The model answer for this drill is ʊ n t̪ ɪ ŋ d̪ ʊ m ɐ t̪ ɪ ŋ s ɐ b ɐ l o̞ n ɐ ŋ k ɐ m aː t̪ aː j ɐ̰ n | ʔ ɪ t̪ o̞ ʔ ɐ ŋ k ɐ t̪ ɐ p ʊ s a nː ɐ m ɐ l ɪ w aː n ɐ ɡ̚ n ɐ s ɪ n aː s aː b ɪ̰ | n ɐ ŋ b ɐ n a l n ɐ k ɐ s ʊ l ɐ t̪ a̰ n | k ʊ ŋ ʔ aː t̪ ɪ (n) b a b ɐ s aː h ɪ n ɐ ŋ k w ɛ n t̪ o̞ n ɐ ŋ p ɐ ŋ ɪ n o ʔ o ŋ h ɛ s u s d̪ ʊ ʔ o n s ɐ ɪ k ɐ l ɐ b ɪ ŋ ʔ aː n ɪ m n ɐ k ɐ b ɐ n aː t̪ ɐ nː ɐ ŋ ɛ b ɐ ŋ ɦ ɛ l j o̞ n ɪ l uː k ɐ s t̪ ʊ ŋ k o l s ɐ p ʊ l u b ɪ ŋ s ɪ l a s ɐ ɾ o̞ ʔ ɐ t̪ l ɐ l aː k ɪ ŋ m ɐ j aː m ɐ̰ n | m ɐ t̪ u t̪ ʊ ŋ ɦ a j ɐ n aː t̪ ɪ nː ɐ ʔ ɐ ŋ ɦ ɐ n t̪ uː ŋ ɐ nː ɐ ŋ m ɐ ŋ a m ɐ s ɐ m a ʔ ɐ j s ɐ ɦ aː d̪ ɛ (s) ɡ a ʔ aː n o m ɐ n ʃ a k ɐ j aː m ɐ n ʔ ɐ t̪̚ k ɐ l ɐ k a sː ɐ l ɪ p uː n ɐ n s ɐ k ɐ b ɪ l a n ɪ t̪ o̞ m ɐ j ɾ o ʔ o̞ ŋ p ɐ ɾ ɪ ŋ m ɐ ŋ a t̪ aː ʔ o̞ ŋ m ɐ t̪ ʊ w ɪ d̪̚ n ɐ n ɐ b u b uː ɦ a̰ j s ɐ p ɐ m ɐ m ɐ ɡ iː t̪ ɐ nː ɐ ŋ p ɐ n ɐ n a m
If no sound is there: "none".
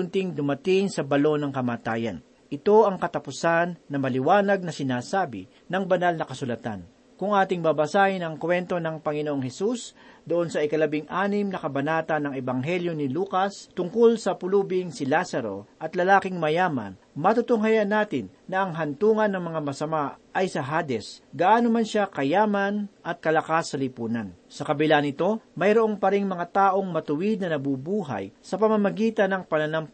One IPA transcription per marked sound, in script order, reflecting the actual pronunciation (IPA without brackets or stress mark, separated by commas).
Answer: ŋ, s